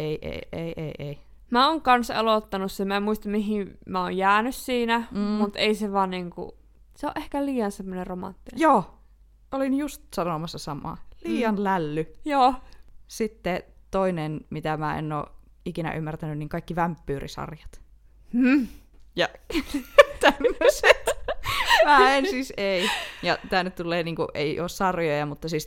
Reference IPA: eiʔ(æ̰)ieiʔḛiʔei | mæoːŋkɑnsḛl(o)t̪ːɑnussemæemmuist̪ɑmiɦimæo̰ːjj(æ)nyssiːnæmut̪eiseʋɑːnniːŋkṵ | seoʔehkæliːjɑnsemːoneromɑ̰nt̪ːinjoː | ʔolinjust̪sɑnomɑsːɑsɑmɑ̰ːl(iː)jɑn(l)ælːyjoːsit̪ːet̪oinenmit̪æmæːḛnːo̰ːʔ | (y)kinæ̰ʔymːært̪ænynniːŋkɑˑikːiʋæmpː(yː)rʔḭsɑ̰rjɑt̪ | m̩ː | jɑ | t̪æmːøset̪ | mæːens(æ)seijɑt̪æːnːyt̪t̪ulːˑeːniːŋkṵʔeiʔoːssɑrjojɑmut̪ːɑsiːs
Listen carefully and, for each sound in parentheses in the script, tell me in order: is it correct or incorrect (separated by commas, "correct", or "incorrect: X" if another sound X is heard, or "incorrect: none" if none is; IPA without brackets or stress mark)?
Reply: incorrect: ḛ, correct, incorrect: æː, correct, correct, incorrect: i, correct, incorrect: i